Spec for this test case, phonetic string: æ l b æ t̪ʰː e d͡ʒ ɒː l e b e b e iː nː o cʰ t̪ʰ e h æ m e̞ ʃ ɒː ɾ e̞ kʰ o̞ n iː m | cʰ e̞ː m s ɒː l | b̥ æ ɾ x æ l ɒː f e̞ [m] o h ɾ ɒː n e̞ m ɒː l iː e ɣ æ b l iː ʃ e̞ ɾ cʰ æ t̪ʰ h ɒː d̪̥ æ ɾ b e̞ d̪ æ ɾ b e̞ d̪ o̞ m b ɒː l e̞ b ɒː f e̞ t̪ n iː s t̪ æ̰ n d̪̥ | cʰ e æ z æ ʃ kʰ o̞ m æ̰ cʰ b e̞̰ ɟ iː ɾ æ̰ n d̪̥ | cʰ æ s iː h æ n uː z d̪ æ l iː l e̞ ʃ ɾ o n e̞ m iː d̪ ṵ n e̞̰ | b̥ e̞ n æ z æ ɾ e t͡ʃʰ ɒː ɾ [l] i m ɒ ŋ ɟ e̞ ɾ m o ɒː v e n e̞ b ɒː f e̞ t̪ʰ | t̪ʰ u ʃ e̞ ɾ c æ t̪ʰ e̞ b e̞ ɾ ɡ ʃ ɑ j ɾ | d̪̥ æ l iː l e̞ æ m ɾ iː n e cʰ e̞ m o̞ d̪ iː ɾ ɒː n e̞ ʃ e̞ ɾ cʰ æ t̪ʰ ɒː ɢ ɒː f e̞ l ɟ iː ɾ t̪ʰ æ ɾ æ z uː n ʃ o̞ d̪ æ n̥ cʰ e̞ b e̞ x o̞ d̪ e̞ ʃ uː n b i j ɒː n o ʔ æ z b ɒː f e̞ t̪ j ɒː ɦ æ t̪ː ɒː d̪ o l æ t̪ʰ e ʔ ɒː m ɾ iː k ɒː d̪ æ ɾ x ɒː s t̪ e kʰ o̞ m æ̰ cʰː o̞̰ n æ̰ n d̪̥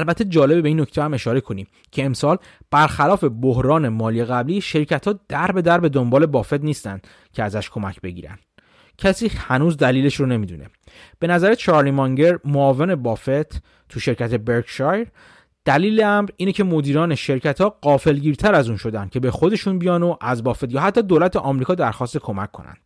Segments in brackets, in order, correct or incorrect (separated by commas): incorrect, correct